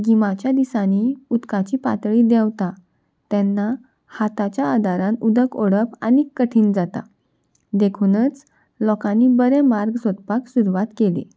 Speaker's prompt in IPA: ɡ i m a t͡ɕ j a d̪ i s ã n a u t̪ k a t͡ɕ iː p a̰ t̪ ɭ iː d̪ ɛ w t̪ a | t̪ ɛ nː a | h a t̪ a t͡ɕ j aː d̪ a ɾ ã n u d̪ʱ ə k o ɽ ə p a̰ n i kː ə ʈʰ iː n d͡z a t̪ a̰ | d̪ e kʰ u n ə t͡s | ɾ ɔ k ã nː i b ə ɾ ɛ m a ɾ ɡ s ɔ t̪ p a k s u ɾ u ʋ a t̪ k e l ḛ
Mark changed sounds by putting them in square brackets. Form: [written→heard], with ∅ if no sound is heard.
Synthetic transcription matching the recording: ɡ i m a t͡ɕ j a d̪ i s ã n [a→i] u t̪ k a t͡ɕ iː p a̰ t̪ ɭ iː d̪ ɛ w t̪ a | t̪ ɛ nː a | h a t̪ a t͡ɕ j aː d̪ a ɾ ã n u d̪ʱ ə k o ɽ ə p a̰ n i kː ə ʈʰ iː n d͡z a t̪ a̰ | d̪ e kʰ u n ə t͡s | [ɾ→l] ɔ k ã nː i b ə ɾ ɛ m a ɾ ɡ s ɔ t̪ p a k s u ɾ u ʋ a t̪ k e l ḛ